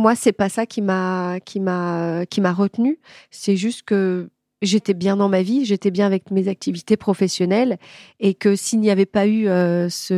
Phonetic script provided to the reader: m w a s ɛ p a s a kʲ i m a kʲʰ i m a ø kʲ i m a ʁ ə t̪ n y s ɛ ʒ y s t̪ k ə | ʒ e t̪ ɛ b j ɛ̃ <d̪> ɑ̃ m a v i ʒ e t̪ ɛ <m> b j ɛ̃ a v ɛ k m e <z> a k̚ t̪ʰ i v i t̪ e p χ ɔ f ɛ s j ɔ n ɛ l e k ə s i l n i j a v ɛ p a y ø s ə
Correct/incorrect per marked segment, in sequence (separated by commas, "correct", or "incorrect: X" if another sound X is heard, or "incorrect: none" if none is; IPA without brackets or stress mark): correct, incorrect: none, correct